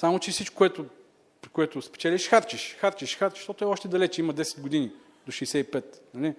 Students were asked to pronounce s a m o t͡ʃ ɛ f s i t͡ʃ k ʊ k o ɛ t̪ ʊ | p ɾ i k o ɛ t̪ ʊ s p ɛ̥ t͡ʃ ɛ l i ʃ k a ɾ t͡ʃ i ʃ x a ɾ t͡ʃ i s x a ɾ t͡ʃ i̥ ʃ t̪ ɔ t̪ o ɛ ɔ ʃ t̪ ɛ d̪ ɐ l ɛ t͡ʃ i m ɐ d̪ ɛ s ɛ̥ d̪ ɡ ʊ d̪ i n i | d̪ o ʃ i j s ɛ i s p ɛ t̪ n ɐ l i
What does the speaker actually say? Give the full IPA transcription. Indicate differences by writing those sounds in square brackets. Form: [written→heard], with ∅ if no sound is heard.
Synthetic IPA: s a m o t͡ʃ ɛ f s i t͡ʃ k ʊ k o ɛ t̪ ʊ | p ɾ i k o ɛ t̪ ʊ s p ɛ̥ t͡ʃ ɛ l i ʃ [k→x] a ɾ t͡ʃ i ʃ x a ɾ t͡ʃ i [s→ʃ] x a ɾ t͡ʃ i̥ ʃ t̪ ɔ t̪ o ɛ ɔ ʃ t̪ ɛ d̪ ɐ l ɛ t͡ʃ i m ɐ d̪ ɛ s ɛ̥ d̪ ɡ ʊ d̪ i n i | d̪ o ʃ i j s ɛ i [s→∅] p ɛ t̪ n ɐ l i